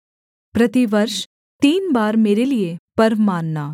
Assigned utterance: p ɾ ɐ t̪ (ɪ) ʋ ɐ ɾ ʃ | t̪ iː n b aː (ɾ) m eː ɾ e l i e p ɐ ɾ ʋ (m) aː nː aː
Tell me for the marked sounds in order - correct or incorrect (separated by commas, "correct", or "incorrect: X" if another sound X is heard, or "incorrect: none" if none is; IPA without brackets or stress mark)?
incorrect: i, correct, correct